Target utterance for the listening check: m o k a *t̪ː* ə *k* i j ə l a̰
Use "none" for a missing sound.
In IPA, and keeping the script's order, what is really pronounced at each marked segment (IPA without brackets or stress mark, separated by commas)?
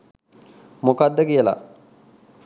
d̪ː, k